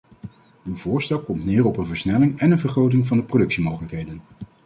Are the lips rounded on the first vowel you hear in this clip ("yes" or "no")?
yes